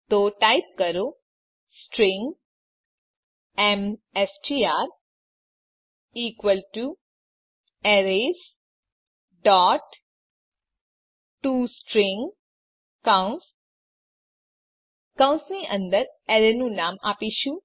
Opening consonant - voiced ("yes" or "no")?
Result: no